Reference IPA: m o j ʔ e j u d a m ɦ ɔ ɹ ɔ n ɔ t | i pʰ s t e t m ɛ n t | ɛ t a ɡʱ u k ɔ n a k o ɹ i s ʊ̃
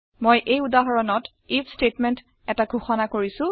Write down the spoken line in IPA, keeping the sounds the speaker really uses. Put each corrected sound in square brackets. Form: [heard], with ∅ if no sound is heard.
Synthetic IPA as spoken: m o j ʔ e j u d a [∅] ɦ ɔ ɹ ɔ n ɔ t | i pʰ s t e t m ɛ n t | ɛ t a ɡʱ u [x] ɔ n a k o ɹ i s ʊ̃